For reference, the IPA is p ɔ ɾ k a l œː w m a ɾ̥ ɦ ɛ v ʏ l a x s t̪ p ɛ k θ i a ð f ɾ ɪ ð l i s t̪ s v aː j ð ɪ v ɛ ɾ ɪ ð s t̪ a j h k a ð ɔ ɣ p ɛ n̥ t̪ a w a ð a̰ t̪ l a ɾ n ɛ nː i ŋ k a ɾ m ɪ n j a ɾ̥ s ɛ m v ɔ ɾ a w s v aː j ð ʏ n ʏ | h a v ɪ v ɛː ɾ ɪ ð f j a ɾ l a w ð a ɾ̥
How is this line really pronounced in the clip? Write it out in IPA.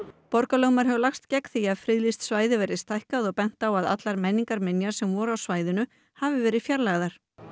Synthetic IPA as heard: p ɔ ɾ k a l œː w m a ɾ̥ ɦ ɛ v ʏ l a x s t̪ c ɛ k θ i a ð f ɾ ɪ ð l i s t̪ s v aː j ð ɪ v ɛ ɾ ɪ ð s t̪ a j h k a ð ɔ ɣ p ɛ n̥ t̪ a w a ð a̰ t̪ l a ɾ m ɛ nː i ŋ k a ɾ m ɪ n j a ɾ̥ s ɛ m v ɔ ɾ a w s v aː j ð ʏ n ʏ | h a v ɪ v ɛː ɾ ɪ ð f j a ɾ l a ɣ ð a ɾ̥